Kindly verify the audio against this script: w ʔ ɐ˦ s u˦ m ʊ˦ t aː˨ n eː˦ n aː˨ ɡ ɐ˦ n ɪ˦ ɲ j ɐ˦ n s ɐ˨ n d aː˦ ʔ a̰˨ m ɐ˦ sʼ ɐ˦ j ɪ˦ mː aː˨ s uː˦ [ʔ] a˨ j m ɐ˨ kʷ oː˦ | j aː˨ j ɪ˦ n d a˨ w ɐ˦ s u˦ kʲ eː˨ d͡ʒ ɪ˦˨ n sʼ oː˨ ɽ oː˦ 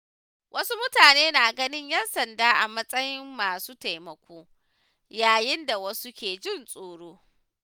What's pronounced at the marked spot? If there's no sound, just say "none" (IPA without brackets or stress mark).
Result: t